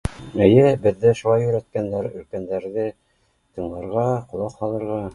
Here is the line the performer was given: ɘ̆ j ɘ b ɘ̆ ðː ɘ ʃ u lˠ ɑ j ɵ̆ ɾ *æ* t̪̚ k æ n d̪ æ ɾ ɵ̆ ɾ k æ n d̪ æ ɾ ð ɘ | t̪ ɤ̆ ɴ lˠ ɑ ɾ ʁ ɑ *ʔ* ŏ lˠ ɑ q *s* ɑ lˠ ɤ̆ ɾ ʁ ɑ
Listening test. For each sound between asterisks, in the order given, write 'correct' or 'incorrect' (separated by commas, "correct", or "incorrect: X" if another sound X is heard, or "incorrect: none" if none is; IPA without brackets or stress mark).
correct, incorrect: q, incorrect: h